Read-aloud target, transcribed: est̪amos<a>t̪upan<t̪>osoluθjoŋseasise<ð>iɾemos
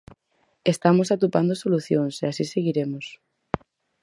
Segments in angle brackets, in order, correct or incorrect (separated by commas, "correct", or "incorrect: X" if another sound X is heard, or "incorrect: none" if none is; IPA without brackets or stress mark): correct, incorrect: d̪, incorrect: ɣ